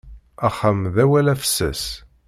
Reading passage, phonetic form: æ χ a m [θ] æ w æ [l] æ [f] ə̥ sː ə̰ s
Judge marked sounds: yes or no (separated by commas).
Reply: no, yes, yes